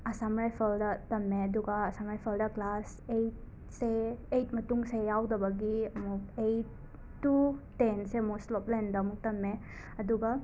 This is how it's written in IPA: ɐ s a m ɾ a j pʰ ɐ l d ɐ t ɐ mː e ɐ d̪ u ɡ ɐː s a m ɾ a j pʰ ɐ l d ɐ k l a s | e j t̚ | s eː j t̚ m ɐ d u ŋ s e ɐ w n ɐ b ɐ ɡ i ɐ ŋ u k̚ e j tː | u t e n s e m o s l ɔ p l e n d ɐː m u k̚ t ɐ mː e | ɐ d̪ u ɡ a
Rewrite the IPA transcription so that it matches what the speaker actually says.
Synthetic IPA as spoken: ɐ s a m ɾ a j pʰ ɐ l d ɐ t ɐ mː e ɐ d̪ u ɡ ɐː s a m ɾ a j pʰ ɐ l d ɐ k l a s | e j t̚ | s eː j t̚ m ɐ t u ŋ s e a w d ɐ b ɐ ɡ i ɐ m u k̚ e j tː | u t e n s e m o s l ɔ p l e n d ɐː m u k̚ t ɐ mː e | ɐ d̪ u ɡ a